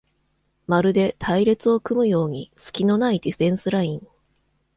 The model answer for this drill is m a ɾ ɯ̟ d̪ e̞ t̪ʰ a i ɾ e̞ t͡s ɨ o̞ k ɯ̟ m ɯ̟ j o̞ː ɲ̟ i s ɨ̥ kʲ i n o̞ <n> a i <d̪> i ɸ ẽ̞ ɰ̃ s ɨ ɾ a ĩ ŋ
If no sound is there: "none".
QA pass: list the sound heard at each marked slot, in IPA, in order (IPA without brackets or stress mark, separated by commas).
n, d̪